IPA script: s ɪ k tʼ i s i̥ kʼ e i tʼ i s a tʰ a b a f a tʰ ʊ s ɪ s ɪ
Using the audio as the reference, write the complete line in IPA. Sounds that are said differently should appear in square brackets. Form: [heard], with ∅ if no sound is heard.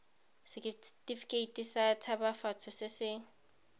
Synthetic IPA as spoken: s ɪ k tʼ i [f] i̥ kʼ e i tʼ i s a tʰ a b a f a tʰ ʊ s ɪ s ɪ